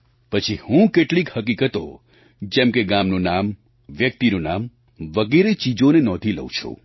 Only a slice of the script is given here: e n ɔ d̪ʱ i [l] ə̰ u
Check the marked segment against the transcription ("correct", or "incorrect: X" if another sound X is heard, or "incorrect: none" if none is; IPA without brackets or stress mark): correct